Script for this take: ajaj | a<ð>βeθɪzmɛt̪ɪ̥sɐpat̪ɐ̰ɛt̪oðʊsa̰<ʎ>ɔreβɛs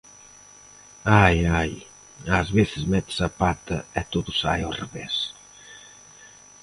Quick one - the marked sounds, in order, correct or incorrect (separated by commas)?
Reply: incorrect, incorrect